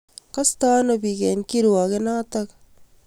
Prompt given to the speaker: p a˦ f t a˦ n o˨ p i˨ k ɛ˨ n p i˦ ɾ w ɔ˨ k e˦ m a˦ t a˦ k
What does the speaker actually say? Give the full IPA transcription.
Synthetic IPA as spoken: k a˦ s t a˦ n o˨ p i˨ k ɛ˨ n k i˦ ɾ w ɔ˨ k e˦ n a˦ t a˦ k